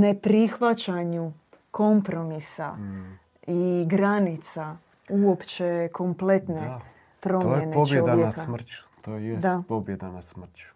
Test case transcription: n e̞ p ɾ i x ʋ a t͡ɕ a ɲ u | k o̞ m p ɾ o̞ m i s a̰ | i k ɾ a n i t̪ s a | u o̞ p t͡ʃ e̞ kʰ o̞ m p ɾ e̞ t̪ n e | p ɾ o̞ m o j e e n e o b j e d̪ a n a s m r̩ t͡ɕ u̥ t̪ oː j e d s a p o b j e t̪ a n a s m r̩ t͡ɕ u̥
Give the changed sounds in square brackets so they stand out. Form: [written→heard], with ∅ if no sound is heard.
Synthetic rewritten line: n e̞ p ɾ i x ʋ a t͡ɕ a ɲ u | k o̞ m p ɾ o̞ m i s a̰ | i [k→ɡ] ɾ a n i t̪ s a | u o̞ p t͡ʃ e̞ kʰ o̞ m p [ɾ→l] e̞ t̪ n e | p ɾ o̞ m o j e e n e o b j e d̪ a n a s m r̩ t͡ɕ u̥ t̪ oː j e d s a p o b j e [t̪→d̪] a n a s m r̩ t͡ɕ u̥